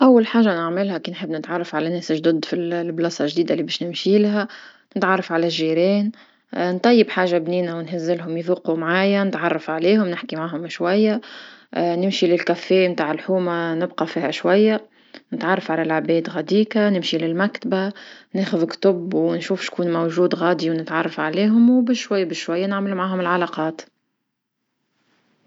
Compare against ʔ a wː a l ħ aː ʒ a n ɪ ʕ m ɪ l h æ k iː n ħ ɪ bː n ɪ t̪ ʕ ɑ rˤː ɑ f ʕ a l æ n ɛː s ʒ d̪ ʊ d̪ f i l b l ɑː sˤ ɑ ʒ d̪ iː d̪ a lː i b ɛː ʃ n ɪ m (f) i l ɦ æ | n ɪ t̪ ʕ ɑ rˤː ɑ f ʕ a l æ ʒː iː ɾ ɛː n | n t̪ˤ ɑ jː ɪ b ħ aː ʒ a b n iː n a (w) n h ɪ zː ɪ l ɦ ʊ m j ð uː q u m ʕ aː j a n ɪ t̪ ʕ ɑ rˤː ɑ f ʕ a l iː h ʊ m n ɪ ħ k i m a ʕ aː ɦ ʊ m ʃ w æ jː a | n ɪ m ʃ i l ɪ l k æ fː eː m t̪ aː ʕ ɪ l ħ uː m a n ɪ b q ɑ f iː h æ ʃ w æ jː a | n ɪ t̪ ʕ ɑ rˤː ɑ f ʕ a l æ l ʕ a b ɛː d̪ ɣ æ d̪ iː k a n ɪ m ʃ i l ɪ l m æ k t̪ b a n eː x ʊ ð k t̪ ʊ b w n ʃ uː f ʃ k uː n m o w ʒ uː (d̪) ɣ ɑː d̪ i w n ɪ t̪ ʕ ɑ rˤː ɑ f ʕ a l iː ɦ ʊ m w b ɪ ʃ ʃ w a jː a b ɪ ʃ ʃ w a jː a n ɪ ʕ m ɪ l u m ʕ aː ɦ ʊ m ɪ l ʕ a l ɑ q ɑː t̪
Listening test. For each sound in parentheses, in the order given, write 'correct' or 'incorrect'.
incorrect: ʃ, correct, correct

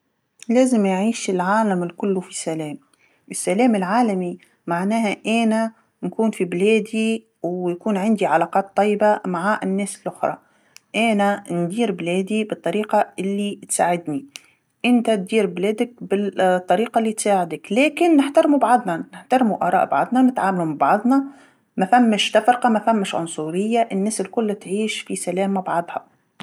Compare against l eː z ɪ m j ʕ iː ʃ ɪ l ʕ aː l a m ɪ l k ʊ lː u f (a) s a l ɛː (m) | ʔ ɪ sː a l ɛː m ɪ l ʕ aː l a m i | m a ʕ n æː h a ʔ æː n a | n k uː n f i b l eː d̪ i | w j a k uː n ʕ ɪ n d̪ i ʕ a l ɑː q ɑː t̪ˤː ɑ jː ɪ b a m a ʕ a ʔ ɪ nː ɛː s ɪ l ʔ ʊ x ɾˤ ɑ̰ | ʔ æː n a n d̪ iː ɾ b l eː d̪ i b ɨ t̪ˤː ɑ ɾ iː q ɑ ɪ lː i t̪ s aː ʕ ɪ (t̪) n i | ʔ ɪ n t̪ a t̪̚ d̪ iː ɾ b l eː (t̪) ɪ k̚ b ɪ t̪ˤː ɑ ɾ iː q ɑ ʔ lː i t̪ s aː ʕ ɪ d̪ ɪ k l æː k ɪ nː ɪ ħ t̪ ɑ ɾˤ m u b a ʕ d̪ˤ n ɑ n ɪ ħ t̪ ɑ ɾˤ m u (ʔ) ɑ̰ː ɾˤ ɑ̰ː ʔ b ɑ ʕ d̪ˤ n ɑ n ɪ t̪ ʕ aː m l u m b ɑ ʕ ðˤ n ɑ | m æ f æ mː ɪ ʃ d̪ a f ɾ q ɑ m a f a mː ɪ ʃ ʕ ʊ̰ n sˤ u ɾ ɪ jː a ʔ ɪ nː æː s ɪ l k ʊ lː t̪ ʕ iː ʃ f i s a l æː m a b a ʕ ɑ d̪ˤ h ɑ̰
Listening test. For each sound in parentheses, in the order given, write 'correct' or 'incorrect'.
incorrect: i, correct, incorrect: d̪, incorrect: d̪, correct

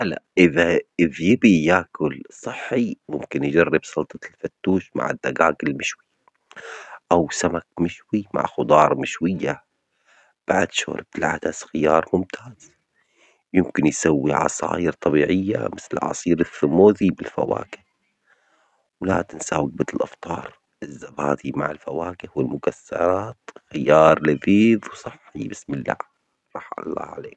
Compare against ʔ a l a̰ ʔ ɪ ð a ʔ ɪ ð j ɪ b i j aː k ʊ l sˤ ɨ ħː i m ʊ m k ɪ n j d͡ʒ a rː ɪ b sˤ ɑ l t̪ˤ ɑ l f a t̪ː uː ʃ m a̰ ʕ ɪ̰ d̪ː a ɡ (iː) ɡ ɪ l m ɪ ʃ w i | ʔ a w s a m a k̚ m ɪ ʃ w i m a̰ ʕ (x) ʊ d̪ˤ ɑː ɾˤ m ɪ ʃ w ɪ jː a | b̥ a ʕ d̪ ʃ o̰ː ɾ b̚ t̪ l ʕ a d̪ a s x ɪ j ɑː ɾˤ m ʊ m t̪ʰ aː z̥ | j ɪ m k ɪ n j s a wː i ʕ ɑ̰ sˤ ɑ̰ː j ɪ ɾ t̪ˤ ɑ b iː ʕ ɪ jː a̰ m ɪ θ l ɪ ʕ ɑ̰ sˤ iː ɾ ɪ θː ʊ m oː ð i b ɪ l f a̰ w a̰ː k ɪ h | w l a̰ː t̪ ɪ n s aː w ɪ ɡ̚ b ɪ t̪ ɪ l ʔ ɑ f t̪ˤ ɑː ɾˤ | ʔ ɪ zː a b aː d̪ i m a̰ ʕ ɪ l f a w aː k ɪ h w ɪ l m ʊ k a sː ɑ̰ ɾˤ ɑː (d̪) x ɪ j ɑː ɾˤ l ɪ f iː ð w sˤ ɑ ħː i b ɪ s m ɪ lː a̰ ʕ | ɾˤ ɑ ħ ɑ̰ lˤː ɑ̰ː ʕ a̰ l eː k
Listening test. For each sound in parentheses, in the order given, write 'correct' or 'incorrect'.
incorrect: aː, correct, incorrect: t̪

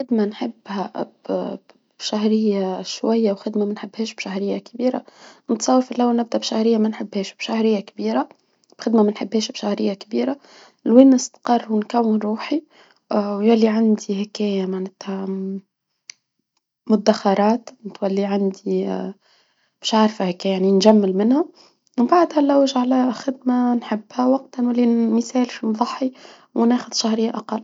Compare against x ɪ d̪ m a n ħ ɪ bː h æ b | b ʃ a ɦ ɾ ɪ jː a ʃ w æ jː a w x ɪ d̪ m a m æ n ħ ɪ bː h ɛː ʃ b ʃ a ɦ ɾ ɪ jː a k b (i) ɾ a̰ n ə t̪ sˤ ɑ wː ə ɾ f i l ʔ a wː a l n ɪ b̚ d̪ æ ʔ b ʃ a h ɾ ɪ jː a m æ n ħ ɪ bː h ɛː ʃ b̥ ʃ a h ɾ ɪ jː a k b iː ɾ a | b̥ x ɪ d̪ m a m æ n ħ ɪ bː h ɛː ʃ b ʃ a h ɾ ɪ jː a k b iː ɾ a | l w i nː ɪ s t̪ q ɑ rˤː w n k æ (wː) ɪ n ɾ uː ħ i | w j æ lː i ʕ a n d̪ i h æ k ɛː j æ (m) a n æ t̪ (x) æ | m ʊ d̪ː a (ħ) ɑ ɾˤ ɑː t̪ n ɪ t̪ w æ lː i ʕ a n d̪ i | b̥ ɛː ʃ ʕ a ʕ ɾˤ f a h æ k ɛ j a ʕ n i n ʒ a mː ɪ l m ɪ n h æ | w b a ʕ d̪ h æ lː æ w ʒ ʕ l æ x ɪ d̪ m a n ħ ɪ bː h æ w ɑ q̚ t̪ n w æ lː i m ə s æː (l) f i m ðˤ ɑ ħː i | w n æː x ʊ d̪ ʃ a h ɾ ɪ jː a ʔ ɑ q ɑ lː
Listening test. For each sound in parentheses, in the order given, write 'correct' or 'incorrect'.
incorrect: iː, correct, correct, incorrect: h, incorrect: x, correct

